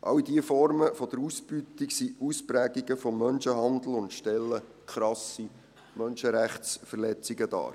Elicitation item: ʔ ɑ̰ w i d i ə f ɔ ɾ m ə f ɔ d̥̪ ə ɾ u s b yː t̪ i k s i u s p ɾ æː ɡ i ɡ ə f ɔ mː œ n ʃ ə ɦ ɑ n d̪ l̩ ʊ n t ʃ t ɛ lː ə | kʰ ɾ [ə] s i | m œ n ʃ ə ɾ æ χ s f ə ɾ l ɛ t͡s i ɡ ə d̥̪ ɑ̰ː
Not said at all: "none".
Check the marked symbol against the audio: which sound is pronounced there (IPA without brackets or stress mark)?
ɑ